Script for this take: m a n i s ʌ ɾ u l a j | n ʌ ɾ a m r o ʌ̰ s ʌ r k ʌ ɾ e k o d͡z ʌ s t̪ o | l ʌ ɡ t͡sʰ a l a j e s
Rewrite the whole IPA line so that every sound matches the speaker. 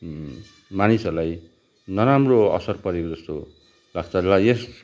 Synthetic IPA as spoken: m a n i s ʌ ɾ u l a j | n ʌ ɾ a m r o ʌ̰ s ʌ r p ʌ ɾ e k o d͡z ʌ s t̪ o | l a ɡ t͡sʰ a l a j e s